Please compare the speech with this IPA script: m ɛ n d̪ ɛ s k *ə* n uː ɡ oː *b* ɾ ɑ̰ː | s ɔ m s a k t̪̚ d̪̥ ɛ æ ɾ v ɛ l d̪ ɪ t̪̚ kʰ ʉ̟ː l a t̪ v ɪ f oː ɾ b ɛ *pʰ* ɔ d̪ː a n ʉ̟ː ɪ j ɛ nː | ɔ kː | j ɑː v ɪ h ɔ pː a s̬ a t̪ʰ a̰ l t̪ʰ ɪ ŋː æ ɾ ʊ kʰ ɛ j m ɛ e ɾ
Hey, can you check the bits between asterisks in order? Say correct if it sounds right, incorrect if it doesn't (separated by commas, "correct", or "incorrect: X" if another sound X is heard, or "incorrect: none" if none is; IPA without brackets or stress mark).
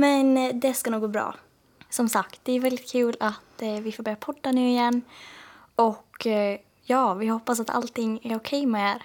incorrect: a, correct, correct